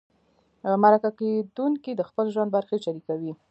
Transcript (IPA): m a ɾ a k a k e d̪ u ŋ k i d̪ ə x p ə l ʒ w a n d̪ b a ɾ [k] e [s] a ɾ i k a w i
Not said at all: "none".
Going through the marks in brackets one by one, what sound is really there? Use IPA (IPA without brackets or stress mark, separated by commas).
x, ʃ